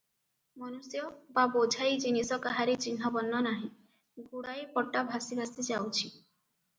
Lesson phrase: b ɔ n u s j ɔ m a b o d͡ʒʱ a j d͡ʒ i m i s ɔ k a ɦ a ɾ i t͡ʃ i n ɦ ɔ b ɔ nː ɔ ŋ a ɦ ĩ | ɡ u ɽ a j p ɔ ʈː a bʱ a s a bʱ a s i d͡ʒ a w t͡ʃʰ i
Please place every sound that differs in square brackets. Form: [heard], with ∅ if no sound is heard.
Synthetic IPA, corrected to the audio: [m] ɔ n u s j ɔ [b] a b o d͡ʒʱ a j d͡ʒ i [n] i s ɔ k a ɦ a ɾ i t͡ʃ i n ɦ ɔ b ɔ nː ɔ [n] a ɦ ĩ | ɡ u ɽ a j p ɔ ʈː a bʱ a s [i] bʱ a s i d͡ʒ a w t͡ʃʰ i